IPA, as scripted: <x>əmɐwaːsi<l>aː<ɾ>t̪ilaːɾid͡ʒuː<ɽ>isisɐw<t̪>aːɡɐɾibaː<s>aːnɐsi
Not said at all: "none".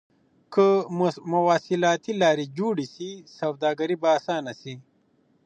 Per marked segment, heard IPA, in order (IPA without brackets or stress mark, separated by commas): k, l, none, ɽ, d̪, s